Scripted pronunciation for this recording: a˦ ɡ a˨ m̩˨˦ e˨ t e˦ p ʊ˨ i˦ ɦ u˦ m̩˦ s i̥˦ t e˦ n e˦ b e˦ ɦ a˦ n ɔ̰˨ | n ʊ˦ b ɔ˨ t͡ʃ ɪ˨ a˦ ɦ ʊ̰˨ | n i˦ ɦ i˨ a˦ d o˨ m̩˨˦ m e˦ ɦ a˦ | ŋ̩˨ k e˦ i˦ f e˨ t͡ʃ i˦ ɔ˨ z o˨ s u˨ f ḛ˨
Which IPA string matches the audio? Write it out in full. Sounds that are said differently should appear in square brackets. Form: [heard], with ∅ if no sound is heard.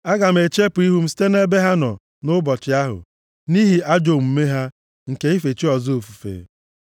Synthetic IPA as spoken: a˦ ɡ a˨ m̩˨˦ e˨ [t͡ʃ] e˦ p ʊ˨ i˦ ɦ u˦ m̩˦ s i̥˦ t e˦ n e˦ b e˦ ɦ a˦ n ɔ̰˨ | n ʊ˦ b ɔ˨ t͡ʃ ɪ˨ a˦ ɦ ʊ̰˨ | n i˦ ɦ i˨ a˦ [d͡ʒ] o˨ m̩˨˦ m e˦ ɦ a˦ | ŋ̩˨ k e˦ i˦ f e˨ t͡ʃ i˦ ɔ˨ z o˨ [f] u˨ f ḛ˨